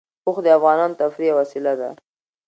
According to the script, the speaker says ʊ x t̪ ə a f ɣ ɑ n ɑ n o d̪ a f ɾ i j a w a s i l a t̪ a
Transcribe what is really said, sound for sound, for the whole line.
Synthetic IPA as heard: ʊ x d̪ ə a f ɣ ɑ n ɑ n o t̪ a f ɾ i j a w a s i l a d̪ a